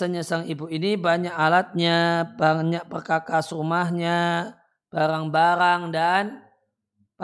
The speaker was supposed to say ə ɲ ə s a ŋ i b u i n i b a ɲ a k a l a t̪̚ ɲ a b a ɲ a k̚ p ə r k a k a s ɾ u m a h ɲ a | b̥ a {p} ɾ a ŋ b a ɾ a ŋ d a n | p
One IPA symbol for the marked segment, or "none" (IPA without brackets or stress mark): none